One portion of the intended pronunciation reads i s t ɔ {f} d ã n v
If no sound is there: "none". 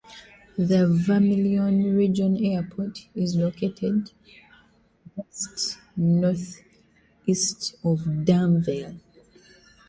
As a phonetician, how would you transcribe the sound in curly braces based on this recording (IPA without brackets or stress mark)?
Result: v